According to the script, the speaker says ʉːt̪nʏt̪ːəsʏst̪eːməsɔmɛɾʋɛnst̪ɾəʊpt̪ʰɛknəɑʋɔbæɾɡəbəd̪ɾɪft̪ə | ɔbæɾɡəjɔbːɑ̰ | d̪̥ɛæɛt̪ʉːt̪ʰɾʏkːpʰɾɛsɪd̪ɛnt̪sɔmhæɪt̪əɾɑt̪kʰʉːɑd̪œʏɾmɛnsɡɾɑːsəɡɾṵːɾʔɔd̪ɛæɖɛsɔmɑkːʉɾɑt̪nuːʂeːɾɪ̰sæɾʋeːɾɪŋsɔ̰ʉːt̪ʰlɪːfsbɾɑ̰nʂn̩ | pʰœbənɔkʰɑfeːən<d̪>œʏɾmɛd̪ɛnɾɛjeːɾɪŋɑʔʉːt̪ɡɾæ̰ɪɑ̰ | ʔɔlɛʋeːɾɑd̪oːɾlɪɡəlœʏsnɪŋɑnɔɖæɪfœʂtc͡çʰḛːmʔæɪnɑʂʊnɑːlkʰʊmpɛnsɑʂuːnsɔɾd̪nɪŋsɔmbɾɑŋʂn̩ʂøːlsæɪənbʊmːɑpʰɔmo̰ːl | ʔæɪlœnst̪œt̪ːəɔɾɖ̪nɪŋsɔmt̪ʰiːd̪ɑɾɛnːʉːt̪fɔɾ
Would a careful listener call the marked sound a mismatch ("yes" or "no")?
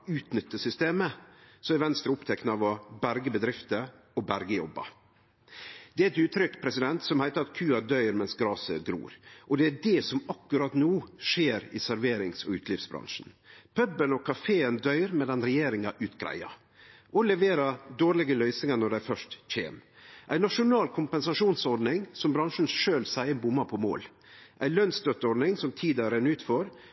no